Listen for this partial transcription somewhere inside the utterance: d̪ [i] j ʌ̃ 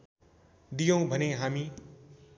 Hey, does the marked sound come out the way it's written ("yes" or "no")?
yes